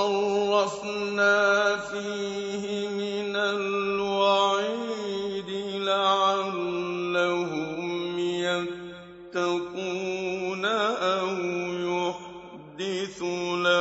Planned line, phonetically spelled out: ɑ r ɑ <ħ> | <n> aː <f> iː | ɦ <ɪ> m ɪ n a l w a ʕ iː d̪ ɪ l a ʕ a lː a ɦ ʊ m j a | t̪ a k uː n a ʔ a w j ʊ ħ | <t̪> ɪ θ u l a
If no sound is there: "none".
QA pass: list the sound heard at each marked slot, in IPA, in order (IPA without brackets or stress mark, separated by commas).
f, n, f, ɪ, d̪